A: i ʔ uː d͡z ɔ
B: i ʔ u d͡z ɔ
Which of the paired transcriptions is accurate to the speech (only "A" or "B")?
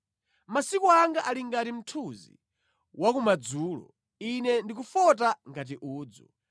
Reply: A